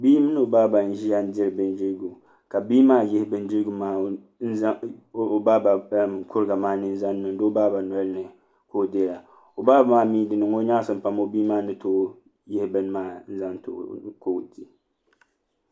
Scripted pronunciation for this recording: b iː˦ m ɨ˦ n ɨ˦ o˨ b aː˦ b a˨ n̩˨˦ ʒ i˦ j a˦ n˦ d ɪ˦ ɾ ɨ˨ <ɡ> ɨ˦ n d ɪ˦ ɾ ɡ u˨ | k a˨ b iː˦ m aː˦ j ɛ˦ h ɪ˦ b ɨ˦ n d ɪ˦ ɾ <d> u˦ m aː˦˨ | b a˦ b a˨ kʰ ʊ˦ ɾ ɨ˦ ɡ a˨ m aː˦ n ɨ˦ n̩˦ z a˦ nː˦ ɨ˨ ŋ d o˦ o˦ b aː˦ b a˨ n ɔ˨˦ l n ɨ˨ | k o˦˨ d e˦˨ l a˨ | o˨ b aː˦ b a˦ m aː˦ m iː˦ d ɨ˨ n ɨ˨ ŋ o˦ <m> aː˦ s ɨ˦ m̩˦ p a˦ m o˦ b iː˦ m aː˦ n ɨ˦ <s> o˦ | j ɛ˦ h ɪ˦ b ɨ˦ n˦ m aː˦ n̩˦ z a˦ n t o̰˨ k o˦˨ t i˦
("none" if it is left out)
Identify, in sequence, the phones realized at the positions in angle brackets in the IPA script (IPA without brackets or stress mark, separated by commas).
b, ɡ, ɲ, t